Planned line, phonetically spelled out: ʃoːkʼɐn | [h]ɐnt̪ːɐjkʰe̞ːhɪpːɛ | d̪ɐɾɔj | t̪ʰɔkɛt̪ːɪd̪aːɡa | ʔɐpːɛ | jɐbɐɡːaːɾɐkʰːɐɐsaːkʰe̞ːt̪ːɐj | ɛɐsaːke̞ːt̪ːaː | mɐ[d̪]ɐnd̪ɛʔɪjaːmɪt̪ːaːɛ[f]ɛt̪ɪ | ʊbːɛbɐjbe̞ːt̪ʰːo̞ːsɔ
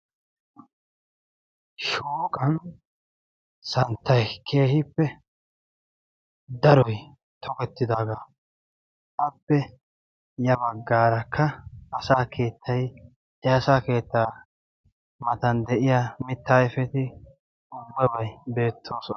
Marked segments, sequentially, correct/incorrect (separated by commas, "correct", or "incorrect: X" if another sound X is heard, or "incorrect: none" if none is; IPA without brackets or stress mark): incorrect: s, incorrect: t̪, correct